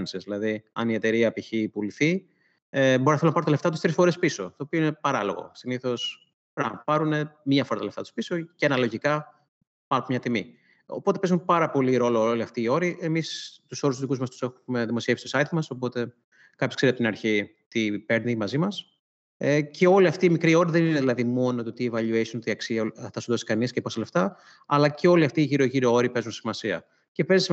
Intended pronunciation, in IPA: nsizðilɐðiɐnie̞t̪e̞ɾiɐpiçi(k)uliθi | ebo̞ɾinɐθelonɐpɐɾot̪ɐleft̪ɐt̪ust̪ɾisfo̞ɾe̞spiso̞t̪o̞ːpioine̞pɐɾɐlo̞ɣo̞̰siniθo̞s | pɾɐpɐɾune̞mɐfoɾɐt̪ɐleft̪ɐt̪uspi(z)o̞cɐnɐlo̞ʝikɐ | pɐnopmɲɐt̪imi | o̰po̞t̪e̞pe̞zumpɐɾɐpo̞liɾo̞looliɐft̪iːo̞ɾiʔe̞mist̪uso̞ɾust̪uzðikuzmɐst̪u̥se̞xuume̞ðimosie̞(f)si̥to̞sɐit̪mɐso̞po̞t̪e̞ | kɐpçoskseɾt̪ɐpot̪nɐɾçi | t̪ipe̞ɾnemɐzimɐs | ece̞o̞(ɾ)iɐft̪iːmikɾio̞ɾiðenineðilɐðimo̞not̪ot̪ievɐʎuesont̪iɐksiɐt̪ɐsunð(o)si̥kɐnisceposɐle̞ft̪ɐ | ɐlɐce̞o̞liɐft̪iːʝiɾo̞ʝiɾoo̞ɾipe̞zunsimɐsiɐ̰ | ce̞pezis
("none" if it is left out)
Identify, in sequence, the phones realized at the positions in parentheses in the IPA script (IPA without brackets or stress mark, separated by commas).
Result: p, s, f, l, o